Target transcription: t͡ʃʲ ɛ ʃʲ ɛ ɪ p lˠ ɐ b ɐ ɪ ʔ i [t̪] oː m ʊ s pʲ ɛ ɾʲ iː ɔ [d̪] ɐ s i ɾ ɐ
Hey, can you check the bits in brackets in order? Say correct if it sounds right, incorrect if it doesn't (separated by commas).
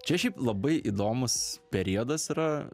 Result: incorrect, correct